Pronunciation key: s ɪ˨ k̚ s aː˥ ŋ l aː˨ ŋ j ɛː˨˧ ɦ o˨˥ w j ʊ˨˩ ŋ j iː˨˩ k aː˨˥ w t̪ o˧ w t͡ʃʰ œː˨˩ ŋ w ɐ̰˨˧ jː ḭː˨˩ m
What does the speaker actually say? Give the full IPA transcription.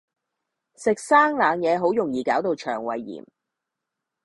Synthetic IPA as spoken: s ɪ˨ k̚ s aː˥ ŋ l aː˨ ŋ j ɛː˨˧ ɦ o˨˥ w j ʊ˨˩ ŋ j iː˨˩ k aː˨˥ w t̪ o˧ w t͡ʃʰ œː˨˩ ŋ w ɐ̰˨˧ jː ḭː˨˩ m

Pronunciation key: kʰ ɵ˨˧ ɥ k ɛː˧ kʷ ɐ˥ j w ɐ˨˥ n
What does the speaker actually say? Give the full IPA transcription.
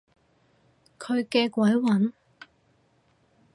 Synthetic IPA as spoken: kʰ ɵ˨˧ ɥ k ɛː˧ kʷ ɐ˨˥ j w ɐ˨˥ n

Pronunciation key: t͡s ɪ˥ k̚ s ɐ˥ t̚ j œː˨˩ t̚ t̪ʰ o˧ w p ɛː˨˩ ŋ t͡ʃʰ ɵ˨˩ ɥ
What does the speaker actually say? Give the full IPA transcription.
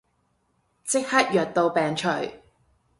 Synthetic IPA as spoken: t͡s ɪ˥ k̚ h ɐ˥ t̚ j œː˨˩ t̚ t̪ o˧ w p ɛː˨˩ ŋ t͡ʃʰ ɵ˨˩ ɥ

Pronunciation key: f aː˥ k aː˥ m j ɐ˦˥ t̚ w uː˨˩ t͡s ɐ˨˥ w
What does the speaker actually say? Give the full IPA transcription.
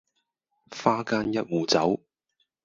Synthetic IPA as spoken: f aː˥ k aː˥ n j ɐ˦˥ t̚ w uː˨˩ t͡s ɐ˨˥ w

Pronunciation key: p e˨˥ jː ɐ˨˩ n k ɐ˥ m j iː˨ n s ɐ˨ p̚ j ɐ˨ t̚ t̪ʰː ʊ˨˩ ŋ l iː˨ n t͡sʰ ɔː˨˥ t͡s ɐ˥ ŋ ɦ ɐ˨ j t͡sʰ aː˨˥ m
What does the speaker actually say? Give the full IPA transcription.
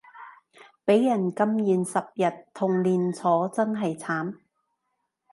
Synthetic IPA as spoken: p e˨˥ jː ɐ˨˩ n k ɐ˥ m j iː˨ n s ɐ˨ p̚ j ɐ˨ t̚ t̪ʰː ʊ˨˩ ŋ l iː˨ n t͡sʰ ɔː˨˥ t͡s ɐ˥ n ɦ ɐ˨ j t͡sʰ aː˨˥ m

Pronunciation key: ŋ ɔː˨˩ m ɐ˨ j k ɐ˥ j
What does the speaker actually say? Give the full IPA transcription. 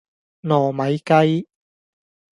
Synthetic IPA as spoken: n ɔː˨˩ m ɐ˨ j k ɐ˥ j

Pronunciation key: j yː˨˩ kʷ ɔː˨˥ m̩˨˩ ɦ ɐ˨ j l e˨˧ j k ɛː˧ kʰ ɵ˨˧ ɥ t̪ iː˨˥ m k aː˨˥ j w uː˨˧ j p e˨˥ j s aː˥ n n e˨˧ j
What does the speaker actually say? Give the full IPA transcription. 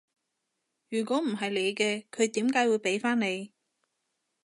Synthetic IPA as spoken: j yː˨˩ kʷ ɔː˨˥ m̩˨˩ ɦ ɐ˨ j l e˨˧ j k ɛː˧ kʰ ɵ˨˧ ɥ t̪ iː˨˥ m k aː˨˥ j w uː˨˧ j p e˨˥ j f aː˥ n n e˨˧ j

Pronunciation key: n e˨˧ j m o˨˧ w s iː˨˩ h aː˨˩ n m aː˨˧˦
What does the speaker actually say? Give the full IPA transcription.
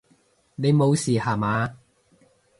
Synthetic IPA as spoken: n e˨˧ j m o˨˧ w s iː˨˩ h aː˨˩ m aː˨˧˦

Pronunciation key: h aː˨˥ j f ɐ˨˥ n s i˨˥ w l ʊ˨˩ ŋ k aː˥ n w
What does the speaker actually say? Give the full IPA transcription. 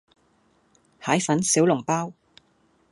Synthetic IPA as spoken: h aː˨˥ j f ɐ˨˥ n s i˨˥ w l ʊ˨˩ ŋ p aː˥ w

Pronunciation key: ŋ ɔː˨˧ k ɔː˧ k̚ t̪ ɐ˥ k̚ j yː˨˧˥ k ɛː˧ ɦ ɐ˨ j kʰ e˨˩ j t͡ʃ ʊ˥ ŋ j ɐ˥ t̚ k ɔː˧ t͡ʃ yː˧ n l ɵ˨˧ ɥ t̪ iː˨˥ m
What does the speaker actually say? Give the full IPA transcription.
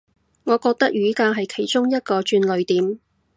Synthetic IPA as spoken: ŋ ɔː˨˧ k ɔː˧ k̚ t̪ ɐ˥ k̚ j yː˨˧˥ k aː˧ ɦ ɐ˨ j kʰ e˨˩ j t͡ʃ ʊ˥ ŋ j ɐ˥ t̚ k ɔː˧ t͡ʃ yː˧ n l ɵ˨˧ ɥ t̪ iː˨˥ m

